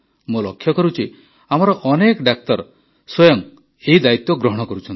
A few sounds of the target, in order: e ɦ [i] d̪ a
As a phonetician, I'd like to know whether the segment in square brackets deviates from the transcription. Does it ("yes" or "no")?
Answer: no